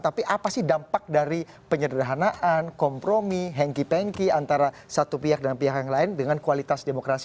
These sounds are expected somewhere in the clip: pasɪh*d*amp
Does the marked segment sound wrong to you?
no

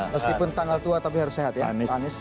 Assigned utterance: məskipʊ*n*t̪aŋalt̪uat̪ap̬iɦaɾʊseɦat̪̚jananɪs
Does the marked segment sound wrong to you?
no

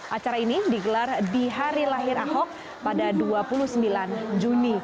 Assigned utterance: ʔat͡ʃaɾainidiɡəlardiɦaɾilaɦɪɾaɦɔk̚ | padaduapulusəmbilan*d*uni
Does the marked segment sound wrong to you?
yes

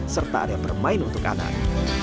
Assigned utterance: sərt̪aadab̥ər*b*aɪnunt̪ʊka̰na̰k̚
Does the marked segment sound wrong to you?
yes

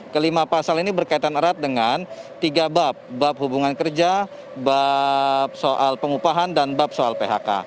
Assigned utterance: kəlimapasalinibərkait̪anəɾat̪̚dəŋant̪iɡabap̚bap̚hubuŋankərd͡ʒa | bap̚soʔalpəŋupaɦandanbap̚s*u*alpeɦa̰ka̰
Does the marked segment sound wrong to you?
yes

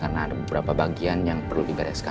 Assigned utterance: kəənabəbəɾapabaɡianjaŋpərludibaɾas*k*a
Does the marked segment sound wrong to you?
no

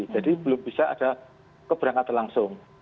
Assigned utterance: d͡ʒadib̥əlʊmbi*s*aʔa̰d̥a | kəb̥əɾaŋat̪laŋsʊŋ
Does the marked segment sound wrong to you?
no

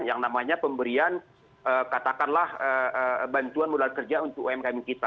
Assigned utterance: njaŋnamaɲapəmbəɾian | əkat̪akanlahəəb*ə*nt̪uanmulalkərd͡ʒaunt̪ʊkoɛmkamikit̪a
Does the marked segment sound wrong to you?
yes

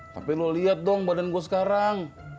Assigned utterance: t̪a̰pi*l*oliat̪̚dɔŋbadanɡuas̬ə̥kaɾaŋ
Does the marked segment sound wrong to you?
no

